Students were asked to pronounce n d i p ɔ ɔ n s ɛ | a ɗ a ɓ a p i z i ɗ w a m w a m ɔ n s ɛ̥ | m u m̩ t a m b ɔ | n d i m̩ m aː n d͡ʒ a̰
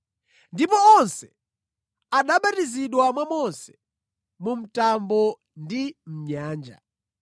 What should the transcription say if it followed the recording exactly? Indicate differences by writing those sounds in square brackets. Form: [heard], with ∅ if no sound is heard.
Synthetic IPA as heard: n d i p ɔ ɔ n s ɛ | a ɗ a ɓ a [t] i z i ɗ w a m w a m ɔ n s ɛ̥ | m u m̩ t a m b ɔ | n d i m̩ [ɲ] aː n d͡ʒ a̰